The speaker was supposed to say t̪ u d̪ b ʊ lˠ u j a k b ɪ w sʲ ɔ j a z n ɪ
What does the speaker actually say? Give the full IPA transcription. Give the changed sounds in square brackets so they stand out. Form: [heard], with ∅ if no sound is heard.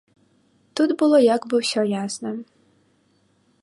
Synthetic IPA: t̪ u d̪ b ʊ lˠ [ɔ] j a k b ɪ w sʲ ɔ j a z n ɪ